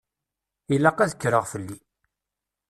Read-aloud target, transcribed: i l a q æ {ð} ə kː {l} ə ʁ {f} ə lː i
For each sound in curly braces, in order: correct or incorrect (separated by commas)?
correct, incorrect, correct